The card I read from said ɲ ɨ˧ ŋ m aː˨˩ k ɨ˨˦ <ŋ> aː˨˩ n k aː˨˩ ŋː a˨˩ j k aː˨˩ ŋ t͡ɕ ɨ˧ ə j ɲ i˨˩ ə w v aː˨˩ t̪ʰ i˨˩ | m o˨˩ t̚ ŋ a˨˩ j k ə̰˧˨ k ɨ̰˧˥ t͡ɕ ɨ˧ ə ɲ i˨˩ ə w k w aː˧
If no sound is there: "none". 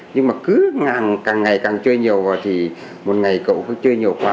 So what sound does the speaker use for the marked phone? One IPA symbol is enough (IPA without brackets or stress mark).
ŋ